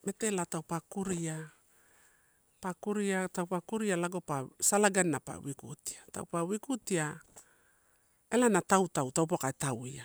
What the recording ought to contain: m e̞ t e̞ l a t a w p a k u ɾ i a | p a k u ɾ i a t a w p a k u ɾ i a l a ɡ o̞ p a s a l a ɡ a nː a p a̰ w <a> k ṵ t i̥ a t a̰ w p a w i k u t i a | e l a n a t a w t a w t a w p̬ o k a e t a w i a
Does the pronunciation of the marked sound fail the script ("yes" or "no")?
yes